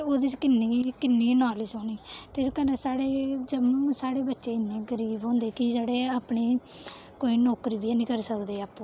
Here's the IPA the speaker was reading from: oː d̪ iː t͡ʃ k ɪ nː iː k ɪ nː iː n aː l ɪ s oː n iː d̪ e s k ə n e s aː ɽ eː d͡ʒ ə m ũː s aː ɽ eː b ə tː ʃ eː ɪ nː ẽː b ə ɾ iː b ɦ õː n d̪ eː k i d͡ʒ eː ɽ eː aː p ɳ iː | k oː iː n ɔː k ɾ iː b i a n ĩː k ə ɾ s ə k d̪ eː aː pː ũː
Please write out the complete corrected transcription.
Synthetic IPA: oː d̪ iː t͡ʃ k ɪ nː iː k ɪ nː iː n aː l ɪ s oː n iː t̪ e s k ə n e s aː ɽ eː d͡ʒ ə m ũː s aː ɽ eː b ə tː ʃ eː ɪ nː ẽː ɡ ə ɾ iː b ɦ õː n d̪ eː k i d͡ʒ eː ɽ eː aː p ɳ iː | k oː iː n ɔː k ɾ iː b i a n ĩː k ə ɾ s ə k d̪ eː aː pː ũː